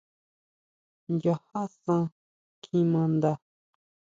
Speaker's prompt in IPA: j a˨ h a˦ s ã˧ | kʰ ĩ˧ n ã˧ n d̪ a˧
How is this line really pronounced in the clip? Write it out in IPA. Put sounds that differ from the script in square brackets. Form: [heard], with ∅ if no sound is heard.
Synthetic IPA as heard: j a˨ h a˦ s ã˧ | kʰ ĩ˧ [m] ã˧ n d̪ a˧